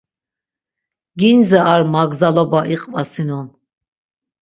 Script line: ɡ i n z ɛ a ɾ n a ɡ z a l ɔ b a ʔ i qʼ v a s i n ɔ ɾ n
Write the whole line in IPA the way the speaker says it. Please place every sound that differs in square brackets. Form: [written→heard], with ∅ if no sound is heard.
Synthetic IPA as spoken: ɡ i n z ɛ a ɾ [n→m] a ɡ z a l ɔ b a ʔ i qʼ v a s i n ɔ [ɾ→∅] n